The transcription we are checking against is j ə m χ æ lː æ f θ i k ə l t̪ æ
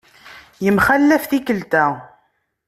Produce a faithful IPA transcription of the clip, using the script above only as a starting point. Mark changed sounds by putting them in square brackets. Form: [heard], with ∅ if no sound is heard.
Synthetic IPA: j ə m χ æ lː æ f θ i k ə l t̪ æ